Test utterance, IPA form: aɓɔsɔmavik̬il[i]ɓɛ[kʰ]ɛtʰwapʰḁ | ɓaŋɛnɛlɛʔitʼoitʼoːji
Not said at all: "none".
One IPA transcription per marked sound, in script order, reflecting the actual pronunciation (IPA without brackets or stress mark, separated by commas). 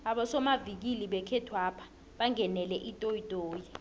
i, kʰ